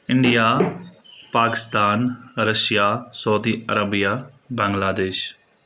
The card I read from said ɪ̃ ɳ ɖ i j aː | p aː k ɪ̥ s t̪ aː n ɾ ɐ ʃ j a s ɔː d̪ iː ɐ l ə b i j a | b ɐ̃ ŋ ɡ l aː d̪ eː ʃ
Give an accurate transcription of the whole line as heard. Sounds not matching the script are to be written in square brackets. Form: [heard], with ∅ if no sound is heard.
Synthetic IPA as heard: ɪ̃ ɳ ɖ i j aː | p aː k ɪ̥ s t̪ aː n ɾ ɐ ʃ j a s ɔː d̪ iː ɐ [ɾ] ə b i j a | b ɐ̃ ŋ ɡ l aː d̪ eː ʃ